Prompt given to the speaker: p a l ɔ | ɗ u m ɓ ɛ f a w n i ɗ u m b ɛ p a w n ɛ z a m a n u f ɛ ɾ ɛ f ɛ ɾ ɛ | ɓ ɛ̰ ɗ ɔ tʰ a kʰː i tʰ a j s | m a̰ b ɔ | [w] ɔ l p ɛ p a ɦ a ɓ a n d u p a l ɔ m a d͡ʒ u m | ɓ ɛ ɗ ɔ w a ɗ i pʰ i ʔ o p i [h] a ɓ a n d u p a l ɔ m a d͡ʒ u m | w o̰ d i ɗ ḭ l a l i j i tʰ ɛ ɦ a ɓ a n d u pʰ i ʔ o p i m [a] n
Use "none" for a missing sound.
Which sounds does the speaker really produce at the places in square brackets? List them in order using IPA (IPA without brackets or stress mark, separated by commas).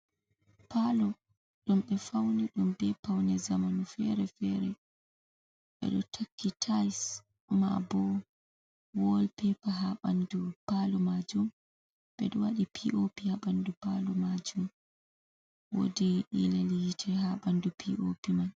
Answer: w, h, a